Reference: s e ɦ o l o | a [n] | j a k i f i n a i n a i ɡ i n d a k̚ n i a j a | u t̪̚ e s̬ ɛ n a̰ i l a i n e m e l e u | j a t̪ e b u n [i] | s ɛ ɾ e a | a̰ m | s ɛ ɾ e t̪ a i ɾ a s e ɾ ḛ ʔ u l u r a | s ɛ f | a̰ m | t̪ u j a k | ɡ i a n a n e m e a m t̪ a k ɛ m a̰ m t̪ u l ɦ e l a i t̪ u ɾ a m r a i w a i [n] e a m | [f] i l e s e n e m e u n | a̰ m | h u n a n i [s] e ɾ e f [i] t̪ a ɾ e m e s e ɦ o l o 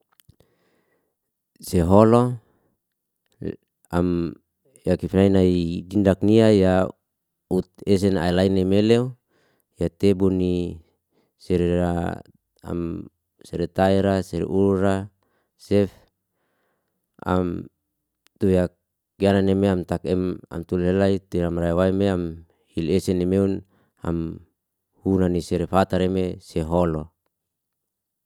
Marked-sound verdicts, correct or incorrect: incorrect: m, correct, incorrect: m, incorrect: h, correct, incorrect: a

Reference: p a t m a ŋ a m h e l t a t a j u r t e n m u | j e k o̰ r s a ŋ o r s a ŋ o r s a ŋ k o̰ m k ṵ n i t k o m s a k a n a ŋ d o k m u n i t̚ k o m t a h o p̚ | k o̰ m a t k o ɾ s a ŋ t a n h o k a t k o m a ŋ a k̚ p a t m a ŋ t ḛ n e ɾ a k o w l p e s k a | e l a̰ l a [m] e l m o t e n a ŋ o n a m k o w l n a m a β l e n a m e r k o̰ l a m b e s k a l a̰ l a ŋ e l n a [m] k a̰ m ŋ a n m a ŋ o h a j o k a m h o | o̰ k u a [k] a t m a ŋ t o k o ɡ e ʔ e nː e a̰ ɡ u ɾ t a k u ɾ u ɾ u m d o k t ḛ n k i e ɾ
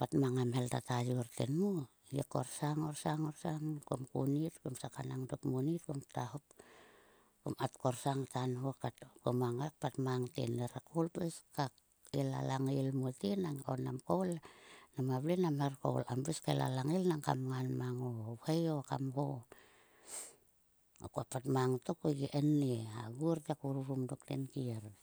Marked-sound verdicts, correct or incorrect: incorrect: ŋ, incorrect: ŋ, incorrect: p

